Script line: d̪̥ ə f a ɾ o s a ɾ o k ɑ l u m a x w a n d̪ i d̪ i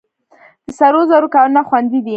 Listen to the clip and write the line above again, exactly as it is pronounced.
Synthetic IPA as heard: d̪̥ ə s a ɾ o z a ɾ o k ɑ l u n a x w a n d̪ i d̪ i